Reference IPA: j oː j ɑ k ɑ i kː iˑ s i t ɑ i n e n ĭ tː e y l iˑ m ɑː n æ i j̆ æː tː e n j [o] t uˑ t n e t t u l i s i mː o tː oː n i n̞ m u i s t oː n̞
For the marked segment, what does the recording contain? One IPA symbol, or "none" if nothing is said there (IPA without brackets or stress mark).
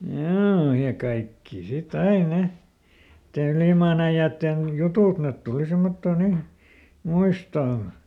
u